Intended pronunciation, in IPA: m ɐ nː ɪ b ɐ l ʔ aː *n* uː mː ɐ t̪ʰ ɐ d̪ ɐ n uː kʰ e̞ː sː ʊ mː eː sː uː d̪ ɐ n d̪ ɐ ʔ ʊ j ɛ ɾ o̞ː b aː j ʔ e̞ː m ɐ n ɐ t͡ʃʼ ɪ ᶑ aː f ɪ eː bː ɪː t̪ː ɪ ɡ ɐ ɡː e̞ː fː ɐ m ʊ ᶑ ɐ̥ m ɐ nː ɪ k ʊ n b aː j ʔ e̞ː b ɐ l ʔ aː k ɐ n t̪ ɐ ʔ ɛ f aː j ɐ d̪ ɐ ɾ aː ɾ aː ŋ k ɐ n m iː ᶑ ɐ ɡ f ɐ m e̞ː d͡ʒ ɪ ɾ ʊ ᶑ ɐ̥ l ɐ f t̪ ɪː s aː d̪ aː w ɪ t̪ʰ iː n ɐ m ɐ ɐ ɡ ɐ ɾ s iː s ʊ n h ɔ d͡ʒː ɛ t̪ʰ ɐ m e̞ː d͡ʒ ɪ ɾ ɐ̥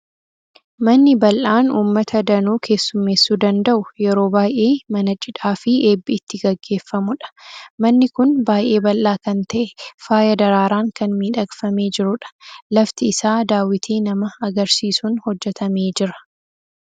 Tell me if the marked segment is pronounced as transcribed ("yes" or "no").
yes